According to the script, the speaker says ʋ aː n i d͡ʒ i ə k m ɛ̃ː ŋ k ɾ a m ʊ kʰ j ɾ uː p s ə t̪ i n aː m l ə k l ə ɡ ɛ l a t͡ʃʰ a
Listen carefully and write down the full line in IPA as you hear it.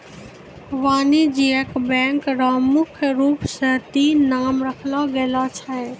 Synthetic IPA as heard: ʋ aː n i d͡ʒ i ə k b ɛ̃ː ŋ k ɾ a m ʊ kʰ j ɾ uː p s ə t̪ i n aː m ɾ ə kʰ l a ɡ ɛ l a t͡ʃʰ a